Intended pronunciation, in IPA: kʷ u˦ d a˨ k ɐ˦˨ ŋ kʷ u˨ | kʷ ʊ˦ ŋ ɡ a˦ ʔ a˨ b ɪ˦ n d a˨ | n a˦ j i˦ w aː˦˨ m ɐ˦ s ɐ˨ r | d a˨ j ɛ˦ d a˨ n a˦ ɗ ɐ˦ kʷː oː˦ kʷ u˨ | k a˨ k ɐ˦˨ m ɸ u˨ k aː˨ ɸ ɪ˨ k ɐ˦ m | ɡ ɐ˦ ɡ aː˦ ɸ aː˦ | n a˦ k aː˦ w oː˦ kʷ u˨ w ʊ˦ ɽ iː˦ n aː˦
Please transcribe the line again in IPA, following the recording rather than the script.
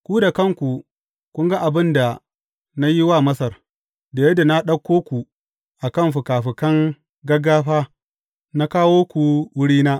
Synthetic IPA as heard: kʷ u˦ d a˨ k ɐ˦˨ ŋ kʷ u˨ | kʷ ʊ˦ ŋ ɡ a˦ ʔ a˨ b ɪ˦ n d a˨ | n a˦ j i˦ w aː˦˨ m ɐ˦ s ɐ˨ r | d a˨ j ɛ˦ d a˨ n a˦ ɗ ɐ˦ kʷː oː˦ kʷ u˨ | ʔ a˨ k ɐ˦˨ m ɸ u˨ k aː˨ ɸ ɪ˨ k ɐ˦ ŋ | ɡ ɐ˦ ɡ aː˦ ɸ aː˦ | n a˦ k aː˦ w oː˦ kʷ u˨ w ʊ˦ ɽ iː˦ n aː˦